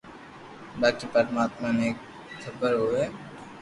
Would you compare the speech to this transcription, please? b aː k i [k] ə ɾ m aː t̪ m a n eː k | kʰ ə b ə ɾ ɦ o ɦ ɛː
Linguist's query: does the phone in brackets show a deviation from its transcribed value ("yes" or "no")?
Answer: yes